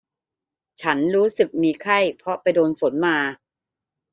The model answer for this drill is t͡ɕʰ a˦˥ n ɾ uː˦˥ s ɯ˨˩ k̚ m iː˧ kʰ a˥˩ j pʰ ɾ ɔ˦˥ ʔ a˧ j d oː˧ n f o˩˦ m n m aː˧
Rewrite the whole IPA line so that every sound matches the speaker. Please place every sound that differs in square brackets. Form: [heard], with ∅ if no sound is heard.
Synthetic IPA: t͡ɕʰ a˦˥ n ɾ uː˦˥ s ɯ˨˩ k̚ m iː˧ kʰ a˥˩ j pʰ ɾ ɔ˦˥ [p] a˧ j d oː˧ n f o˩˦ [∅] n m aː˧